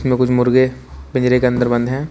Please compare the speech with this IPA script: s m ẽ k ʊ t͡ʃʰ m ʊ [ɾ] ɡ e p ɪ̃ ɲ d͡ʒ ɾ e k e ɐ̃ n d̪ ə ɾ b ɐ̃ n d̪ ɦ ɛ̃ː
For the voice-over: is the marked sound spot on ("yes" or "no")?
yes